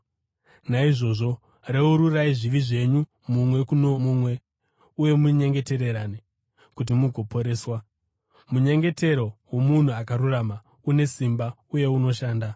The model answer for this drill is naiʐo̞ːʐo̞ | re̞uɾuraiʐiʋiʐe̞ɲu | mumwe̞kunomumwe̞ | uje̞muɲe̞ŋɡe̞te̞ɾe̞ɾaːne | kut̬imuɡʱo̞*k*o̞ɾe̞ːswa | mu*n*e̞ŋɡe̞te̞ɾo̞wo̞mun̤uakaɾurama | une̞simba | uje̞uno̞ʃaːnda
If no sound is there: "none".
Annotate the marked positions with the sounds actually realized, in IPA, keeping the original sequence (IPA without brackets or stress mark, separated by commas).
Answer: p, ɲ